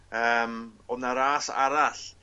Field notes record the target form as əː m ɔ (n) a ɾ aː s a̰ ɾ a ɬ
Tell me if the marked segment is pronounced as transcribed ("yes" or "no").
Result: yes